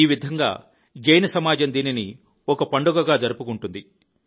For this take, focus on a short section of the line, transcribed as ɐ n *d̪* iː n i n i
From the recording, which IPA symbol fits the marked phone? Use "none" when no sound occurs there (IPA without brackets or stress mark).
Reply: d̪